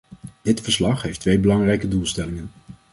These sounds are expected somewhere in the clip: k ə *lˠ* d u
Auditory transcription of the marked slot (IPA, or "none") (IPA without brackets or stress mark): none